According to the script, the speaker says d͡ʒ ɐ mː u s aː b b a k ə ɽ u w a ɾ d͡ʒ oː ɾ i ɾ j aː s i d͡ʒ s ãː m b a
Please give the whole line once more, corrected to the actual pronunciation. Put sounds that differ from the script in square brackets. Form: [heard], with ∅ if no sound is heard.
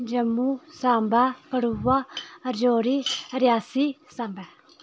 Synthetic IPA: d͡ʒ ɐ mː u s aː [m] b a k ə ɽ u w a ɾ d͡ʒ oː ɾ i ɾ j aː s i [∅] s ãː m b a